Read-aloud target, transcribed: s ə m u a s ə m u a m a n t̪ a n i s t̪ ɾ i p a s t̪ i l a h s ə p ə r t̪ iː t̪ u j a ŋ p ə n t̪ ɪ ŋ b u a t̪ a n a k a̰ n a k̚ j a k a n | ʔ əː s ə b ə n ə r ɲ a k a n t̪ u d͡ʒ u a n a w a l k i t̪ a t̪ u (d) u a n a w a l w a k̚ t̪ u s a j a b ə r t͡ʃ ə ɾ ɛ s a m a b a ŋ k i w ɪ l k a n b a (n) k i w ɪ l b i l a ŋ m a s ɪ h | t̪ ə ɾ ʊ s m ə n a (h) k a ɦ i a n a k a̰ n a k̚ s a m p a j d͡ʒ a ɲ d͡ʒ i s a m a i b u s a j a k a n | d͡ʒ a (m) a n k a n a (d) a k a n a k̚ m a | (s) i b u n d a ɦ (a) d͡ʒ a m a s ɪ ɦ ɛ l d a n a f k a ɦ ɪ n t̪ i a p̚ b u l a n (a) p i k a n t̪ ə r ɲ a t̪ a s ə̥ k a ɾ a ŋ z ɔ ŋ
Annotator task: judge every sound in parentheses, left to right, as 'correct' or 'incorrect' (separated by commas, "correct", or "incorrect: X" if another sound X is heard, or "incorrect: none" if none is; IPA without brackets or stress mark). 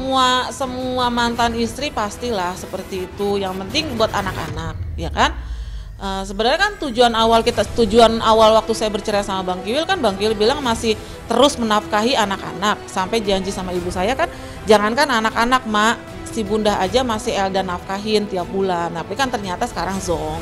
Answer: incorrect: d͡ʒ, incorrect: ŋ, incorrect: f, incorrect: ŋ, incorrect: n, correct, correct, correct